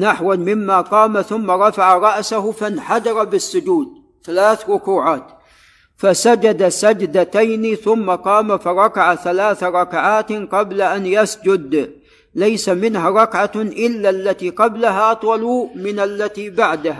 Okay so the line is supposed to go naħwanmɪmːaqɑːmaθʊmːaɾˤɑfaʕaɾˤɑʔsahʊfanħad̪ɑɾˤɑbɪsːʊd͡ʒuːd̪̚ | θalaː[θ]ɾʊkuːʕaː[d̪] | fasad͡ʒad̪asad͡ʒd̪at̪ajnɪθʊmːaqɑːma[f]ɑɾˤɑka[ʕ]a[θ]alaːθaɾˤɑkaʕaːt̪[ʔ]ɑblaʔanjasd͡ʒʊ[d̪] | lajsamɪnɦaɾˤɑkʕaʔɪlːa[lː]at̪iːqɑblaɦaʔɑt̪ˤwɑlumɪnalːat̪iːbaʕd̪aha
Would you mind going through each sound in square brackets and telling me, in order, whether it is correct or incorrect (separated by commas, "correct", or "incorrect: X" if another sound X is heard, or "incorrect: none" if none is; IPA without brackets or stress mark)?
correct, incorrect: t̪, correct, correct, correct, incorrect: q, correct, correct